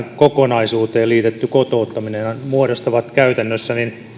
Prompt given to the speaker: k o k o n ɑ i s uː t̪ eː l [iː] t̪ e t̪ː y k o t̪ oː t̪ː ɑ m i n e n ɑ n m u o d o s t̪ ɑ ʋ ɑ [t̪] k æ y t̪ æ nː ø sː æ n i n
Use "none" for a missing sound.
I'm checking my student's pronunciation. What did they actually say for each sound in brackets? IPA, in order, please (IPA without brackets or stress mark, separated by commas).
iː, t̪